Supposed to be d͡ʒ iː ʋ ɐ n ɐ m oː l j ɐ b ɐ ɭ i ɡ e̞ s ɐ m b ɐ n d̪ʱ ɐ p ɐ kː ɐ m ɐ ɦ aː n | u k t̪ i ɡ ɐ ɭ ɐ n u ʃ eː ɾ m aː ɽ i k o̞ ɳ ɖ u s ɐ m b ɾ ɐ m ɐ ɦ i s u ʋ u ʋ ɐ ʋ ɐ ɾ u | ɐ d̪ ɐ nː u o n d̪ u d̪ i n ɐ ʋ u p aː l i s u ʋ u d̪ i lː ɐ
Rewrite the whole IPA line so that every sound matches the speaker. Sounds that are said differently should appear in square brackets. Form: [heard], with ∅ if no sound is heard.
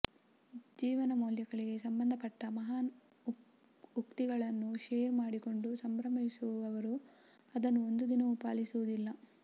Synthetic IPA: d͡ʒ iː ʋ ɐ n ɐ m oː l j ɐ [ɡ] ɐ ɭ i ɡ e̞ s ɐ m b ɐ n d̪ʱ ɐ p ɐ [ʈː] ɐ m ɐ ɦ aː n | u k t̪ i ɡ ɐ ɭ ɐ [nː] u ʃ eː ɾ m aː ɽ i k o̞ ɳ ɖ u s ɐ m b ɾ ɐ m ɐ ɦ i s u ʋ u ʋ ɐ ʋ ɐ ɾ u | ɐ d̪ ɐ nː u o n d̪ u d̪ i n ɐ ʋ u p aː l i s u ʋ u d̪ i lː ɐ

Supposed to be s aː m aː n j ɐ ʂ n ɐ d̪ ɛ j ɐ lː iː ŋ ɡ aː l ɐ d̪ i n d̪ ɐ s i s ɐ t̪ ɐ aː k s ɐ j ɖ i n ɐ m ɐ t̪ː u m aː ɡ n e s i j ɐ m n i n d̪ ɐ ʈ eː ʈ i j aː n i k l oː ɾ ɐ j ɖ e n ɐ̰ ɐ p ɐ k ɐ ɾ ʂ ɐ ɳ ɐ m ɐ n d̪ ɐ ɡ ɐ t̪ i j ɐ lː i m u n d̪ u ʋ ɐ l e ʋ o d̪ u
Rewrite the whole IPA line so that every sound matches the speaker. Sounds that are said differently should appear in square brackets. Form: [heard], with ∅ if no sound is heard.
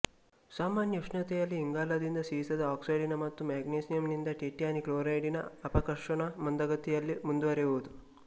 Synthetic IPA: s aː m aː n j ɐ ʂ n ɐ [t̪] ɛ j ɐ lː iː ŋ ɡ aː l ɐ d̪ i n d̪ ɐ s i s ɐ [d̪] ɐ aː k s ɐ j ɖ i n ɐ m ɐ t̪ː u m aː ɡ n e s i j ɐ m n i n d̪ ɐ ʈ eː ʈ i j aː n i k l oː ɾ ɐ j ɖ [i] n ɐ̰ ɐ p ɐ k ɐ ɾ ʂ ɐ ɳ ɐ m ɐ n d̪ ɐ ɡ ɐ t̪ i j ɐ lː i m u n d̪ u ʋ ɐ [ɾ] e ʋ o d̪ u

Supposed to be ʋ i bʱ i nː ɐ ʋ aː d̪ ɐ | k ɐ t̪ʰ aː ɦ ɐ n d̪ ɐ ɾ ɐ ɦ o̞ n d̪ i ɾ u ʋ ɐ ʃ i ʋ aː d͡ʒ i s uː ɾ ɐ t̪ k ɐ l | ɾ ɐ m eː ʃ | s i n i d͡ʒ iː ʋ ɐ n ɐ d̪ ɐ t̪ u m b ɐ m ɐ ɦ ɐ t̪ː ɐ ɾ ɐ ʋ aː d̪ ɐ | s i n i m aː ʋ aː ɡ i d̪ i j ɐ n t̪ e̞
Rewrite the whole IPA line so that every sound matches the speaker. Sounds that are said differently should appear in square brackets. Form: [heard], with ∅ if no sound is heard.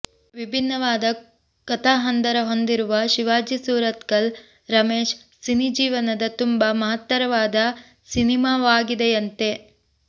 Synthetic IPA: ʋ i bʱ i nː ɐ ʋ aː d̪ ɐ | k ɐ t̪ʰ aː ɦ ɐ n d̪ ɐ ɾ ɐ ɦ o̞ n d̪ i ɾ u ʋ ɐ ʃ i ʋ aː d͡ʒ i s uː ɾ ɐ t̪ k ɐ l | ɾ ɐ m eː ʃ | s i n i d͡ʒ iː ʋ ɐ n ɐ d̪ ɐ t̪ u m b ɐ m ɐ ɦ ɐ t̪ː ɐ ɾ ɐ ʋ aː d̪ ɐ | s i n i m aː ʋ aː ɡ i d̪ [e] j ɐ n t̪ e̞

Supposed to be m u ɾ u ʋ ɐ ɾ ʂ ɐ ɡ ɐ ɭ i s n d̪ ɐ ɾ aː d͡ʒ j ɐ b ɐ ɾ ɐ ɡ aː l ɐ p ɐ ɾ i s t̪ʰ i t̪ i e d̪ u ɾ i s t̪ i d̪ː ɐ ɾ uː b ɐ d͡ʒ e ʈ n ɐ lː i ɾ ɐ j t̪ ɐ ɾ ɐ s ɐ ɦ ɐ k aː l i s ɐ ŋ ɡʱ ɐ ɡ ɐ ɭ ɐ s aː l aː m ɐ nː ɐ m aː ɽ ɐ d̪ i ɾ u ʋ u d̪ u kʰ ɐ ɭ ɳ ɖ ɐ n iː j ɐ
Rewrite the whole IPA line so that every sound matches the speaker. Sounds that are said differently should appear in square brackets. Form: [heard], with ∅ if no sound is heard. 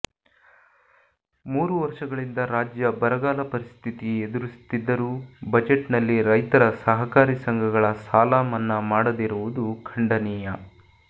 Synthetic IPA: m [uː] ɾ u ʋ ɐ ɾ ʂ ɐ ɡ ɐ ɭ i [∅] n d̪ ɐ ɾ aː d͡ʒ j ɐ b ɐ ɾ ɐ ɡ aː l ɐ p ɐ ɾ i s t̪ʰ i t̪ i e d̪ u ɾ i s t̪ i d̪ː ɐ ɾ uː b ɐ d͡ʒ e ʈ n ɐ lː i ɾ ɐ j t̪ ɐ ɾ ɐ s ɐ ɦ ɐ k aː [ɾ] i s ɐ ŋ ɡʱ ɐ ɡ ɐ ɭ ɐ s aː l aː m ɐ nː ɐ m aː ɽ ɐ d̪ i ɾ u ʋ u d̪ u kʰ ɐ [∅] ɳ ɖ ɐ n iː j ɐ

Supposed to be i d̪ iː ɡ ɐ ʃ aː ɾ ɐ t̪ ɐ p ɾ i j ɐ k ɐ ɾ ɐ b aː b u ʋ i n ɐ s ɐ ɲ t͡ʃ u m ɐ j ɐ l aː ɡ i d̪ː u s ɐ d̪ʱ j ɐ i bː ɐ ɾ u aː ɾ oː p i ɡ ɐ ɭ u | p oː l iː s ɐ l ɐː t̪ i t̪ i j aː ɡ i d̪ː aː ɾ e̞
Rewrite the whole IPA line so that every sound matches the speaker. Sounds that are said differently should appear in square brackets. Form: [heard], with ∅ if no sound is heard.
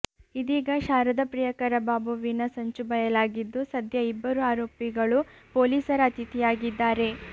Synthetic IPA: i d̪ iː ɡ ɐ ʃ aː ɾ ɐ [d̪] ɐ p ɾ i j ɐ k ɐ ɾ ɐ b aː b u ʋ i n ɐ s ɐ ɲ t͡ʃ u [b] ɐ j ɐ l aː ɡ i d̪ː u s ɐ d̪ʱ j ɐ i bː ɐ ɾ u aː ɾ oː p i ɡ ɐ ɭ u | p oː l iː s ɐ [ɾ] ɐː t̪ i t̪ i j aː ɡ i d̪ː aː ɾ e̞

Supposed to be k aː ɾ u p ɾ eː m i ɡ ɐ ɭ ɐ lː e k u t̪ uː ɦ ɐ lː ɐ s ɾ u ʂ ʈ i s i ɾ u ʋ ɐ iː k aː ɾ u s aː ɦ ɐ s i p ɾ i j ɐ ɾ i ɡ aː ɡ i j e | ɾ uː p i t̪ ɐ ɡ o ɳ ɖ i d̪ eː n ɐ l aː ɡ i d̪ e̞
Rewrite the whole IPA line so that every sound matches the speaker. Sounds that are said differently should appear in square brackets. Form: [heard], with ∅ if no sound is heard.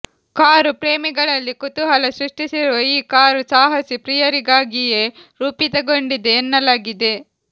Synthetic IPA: k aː ɾ u p ɾ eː m i ɡ ɐ ɭ ɐ lː [i] k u t̪ [u] ɦ ɐ [l] ɐ s ɾ u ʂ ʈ i s i ɾ u ʋ ɐ iː k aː ɾ u s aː ɦ ɐ s i p ɾ i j ɐ ɾ i ɡ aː ɡ i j e | ɾ uː p i t̪ ɐ ɡ o ɳ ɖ i d̪ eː [nː] ɐ l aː ɡ i d̪ e̞

